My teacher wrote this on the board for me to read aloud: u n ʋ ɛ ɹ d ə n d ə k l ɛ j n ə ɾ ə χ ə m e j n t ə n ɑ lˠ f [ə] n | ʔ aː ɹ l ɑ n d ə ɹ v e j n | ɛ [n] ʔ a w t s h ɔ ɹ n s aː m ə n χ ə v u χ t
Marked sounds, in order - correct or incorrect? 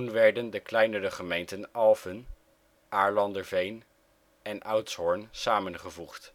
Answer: correct, correct

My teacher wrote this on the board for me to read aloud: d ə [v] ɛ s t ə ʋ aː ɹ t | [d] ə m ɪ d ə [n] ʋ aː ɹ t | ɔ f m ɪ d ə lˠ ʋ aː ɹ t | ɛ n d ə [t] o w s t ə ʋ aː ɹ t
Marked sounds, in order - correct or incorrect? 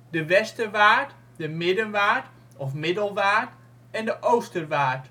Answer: incorrect, correct, correct, incorrect

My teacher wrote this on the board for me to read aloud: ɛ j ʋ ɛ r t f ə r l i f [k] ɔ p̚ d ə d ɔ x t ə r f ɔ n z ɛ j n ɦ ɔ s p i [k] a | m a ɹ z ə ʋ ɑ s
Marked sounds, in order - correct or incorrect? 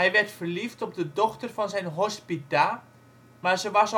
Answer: incorrect, incorrect

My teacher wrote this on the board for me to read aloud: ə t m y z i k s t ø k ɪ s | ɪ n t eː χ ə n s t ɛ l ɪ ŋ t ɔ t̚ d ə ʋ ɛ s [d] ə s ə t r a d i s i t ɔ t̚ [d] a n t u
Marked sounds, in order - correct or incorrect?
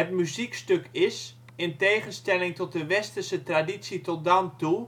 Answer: incorrect, correct

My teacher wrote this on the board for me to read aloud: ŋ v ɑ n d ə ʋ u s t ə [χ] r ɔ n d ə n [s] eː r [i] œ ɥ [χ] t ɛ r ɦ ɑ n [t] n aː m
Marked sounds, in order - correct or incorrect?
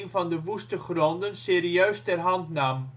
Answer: correct, correct, correct, incorrect, correct

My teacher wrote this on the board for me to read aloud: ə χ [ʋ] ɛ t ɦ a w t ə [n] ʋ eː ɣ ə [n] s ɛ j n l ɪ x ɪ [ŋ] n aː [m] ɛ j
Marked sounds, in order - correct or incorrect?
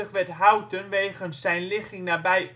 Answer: correct, correct, correct, correct, incorrect

